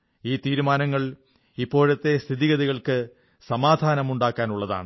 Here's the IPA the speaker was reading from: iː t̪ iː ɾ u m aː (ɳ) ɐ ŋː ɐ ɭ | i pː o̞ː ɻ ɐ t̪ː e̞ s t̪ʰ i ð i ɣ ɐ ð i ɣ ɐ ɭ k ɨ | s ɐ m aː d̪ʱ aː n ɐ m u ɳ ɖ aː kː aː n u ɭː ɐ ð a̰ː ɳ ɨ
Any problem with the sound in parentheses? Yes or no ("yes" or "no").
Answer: yes